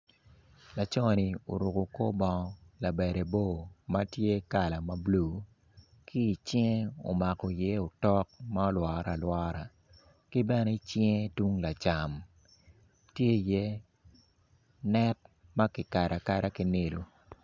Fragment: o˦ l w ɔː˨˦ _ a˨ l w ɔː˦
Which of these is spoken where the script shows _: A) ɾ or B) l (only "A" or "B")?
A